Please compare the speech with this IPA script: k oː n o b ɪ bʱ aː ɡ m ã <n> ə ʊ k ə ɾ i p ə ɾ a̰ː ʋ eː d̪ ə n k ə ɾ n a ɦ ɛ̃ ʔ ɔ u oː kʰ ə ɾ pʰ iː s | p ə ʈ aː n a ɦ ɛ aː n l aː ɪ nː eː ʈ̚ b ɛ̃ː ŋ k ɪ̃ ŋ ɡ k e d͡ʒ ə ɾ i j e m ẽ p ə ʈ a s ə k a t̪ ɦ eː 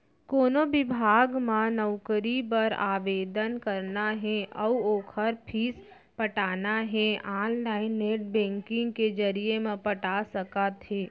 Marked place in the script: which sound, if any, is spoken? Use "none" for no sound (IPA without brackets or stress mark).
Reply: n